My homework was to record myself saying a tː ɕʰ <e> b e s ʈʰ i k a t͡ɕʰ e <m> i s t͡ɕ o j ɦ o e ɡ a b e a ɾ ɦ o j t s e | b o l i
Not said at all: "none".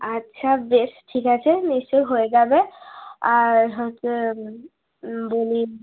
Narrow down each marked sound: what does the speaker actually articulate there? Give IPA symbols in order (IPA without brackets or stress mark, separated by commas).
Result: a, n